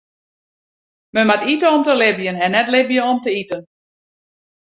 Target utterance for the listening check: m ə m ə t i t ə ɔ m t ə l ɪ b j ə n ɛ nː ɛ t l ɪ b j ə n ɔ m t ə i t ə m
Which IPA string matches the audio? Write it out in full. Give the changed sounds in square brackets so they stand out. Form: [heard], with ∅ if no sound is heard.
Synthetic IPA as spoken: m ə m [a] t i t ə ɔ m t ə l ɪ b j ə n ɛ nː ɛ t l ɪ b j ə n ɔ m t ə i t ə [n]